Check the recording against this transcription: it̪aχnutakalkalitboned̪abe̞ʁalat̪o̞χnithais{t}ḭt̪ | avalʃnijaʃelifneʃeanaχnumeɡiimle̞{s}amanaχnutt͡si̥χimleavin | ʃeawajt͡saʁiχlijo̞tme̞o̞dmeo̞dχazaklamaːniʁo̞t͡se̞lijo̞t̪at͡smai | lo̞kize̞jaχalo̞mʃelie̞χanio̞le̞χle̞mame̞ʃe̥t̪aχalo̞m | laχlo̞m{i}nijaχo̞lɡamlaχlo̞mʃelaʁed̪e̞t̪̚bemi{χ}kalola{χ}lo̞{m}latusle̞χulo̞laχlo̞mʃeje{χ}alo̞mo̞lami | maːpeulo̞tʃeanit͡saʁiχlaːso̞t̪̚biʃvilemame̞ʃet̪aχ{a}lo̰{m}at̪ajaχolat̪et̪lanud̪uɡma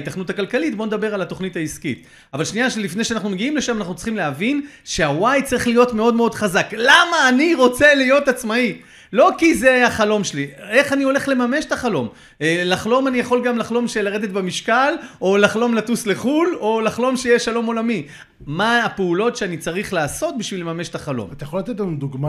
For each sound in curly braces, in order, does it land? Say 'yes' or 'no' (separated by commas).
no, no, no, no, yes, yes, no, yes, yes